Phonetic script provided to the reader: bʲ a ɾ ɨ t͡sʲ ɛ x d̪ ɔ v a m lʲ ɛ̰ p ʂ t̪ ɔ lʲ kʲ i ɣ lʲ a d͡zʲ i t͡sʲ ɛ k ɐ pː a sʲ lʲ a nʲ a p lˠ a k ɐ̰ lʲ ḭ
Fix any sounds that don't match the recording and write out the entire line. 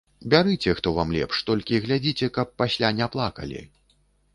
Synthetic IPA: bʲ a ɾ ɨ t͡sʲ ɛ x t̪ ɔ v a m lʲ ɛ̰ p ʂ t̪ ɔ lʲ kʲ i ɣ lʲ a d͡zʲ i t͡sʲ ɛ k ɐ pː a sʲ lʲ a nʲ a p lˠ a k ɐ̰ lʲ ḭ